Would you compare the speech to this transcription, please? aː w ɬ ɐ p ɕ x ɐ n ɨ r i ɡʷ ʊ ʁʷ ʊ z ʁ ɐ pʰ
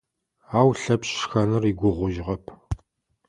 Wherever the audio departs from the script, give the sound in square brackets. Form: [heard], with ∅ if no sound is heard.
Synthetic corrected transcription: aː w ɬ ɐ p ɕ x ɐ n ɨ r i ɡʷ ʊ ʁʷ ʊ [ʒ] ʁ ɐ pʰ